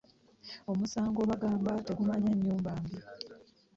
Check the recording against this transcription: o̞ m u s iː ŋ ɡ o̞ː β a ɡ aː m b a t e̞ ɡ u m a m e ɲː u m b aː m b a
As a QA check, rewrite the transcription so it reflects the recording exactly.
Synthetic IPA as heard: o̞ m u s aː ŋ ɡ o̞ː β a ɡ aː m b a t e̞ ɡ u m a ɲ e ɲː uː m b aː m b i